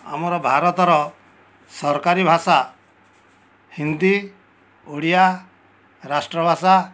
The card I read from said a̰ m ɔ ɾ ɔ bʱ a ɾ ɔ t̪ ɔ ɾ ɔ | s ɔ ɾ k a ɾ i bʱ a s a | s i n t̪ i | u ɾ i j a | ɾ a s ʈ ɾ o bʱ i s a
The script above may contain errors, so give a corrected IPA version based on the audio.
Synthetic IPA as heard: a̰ m ɔ ɾ ɔ bʱ a ɾ ɔ t̪ ɔ ɾ ɔ | s ɔ ɾ k a ɾ i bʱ a s a | h i n d̪ i | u ɽ i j a | ɾ a s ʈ ɾ ɔ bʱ a s a